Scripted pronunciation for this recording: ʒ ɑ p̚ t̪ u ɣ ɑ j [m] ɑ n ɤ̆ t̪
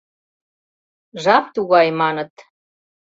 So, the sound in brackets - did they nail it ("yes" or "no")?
yes